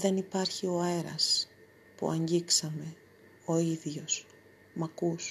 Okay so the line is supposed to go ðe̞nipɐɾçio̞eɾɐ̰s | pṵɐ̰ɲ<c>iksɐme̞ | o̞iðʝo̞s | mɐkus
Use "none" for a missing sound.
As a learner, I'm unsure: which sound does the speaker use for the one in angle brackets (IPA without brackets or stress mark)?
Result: ɟ